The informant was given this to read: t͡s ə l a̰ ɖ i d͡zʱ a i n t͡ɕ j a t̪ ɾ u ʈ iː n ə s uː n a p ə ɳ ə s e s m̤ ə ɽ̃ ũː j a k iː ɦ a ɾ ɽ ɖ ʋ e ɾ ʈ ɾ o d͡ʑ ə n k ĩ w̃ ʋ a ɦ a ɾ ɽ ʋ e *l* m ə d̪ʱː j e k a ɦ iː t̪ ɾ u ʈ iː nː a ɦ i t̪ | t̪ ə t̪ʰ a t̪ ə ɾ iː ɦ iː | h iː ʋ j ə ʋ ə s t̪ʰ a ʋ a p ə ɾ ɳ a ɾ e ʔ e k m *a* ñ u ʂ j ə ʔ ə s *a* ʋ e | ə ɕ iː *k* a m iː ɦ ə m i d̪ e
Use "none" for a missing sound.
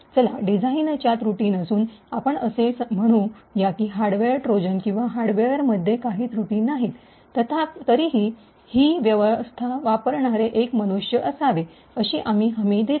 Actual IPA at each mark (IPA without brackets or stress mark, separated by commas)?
ɾ, ə, a, ʔ